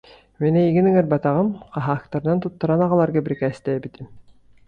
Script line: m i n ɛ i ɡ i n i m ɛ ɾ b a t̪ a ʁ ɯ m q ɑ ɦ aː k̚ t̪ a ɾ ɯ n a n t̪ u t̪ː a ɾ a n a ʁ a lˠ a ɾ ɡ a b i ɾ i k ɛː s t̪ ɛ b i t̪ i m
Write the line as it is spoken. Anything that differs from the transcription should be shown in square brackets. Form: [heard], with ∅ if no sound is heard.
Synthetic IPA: m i n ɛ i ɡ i n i [ŋ] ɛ ɾ b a t̪ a ʁ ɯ m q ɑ ɦ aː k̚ t̪ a ɾ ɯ n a n t̪ u t̪ː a ɾ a n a ʁ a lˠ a ɾ ɡ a b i ɾ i k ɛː s t̪ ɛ b i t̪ i m